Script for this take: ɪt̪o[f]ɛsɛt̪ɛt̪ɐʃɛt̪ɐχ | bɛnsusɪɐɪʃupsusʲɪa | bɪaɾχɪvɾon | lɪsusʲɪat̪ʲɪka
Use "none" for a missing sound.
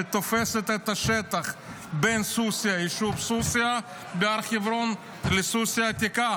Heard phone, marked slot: f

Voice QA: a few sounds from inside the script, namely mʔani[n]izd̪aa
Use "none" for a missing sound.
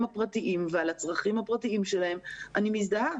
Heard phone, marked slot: m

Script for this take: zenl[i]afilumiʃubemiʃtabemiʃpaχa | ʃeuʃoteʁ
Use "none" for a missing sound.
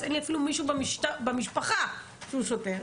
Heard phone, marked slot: i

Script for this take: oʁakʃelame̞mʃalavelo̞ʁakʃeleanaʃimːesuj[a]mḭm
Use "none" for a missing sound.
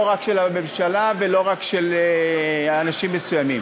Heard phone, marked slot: a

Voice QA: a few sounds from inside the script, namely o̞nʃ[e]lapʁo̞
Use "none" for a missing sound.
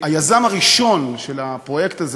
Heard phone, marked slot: e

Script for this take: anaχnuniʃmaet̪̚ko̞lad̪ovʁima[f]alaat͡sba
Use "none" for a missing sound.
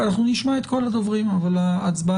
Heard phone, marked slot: v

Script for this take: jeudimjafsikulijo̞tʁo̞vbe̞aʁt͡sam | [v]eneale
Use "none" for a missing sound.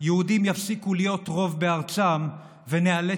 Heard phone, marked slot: v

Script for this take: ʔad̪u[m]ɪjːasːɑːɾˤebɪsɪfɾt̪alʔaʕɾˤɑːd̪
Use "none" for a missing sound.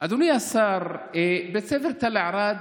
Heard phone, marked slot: n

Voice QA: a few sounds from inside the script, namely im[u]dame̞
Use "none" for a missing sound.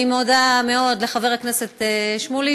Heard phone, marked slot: o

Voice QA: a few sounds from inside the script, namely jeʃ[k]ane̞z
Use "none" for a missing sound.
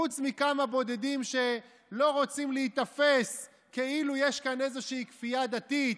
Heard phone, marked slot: k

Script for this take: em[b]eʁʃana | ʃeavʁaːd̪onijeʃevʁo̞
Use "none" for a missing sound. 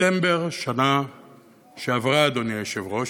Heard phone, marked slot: b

